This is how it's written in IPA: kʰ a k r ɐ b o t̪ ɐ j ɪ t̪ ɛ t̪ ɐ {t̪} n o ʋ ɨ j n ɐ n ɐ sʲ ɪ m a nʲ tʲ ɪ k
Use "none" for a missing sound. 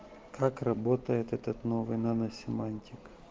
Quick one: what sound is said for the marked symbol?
t̪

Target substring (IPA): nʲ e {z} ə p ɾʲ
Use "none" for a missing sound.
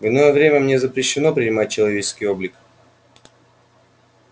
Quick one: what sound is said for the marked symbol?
z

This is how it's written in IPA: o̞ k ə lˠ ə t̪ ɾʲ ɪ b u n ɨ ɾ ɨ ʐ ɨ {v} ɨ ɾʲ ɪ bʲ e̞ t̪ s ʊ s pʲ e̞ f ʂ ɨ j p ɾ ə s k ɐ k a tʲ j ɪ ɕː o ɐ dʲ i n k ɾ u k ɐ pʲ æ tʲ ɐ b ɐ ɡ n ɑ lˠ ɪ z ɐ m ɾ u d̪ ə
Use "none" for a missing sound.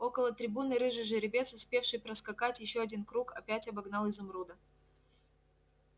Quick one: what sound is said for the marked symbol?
ʐ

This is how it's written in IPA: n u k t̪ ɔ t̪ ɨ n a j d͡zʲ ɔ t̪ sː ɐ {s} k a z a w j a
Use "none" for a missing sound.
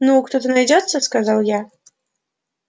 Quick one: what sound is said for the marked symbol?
s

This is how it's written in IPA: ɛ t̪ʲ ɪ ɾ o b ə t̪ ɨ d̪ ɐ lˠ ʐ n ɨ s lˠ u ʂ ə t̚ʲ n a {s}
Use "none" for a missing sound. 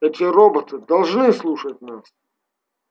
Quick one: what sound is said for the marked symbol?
s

